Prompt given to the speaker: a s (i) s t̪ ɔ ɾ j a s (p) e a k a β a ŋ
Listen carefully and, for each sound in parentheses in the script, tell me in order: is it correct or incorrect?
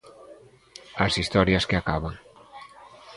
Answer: correct, incorrect

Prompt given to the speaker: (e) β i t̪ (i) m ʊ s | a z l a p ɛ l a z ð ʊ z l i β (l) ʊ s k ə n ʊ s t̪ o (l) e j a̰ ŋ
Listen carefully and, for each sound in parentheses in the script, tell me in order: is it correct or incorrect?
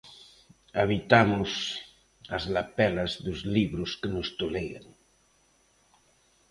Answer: incorrect, incorrect, incorrect, correct

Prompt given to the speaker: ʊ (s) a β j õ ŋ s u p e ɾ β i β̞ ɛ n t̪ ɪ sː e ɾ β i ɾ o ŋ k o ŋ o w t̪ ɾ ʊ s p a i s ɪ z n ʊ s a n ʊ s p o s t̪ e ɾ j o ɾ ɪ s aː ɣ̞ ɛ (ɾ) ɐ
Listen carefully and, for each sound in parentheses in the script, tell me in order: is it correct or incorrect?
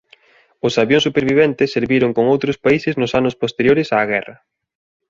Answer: correct, incorrect

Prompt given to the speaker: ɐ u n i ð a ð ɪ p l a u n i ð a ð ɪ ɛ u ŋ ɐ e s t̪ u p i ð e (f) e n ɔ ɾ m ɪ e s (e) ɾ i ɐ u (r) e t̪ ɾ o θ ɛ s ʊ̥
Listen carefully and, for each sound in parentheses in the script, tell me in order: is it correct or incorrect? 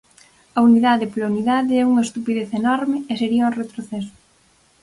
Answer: incorrect, correct, correct

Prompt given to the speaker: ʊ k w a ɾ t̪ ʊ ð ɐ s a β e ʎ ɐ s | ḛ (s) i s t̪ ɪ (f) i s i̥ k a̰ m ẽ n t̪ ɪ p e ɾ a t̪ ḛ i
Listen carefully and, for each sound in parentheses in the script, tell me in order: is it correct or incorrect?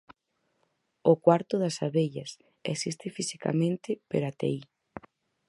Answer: correct, correct

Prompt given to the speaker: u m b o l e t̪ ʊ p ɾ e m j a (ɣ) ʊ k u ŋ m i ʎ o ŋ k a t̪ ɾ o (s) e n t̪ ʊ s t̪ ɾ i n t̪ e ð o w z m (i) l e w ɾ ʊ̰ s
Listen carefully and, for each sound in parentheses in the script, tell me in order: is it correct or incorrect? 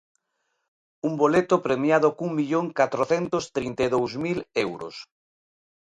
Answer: incorrect, incorrect, correct

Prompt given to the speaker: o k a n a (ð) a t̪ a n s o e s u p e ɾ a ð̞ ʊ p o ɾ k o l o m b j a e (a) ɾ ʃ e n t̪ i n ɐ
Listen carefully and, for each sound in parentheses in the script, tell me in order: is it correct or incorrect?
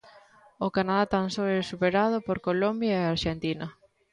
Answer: correct, correct

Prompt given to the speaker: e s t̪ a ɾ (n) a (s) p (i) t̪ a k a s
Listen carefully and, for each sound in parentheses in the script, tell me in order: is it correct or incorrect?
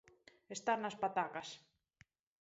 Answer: correct, correct, incorrect

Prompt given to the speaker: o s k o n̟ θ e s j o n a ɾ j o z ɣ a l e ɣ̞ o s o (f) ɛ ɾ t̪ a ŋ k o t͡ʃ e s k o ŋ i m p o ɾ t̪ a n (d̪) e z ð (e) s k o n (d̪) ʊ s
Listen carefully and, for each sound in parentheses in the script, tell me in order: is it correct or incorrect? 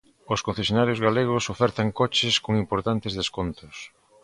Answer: correct, incorrect, correct, incorrect

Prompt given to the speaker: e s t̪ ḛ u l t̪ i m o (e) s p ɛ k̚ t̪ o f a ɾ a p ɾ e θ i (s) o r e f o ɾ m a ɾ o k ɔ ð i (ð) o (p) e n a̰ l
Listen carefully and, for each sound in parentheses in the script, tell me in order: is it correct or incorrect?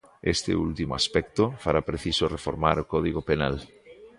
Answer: incorrect, correct, incorrect, correct

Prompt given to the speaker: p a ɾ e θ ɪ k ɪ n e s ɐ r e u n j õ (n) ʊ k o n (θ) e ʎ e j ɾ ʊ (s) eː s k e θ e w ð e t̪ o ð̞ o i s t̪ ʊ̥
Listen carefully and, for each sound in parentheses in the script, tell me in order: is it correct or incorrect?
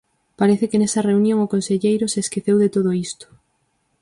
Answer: incorrect, incorrect, correct

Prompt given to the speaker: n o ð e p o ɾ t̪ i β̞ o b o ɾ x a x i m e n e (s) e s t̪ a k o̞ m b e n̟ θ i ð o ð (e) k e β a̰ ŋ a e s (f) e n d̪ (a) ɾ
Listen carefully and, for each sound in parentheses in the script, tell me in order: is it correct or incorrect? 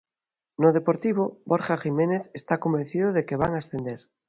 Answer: incorrect, correct, incorrect, incorrect

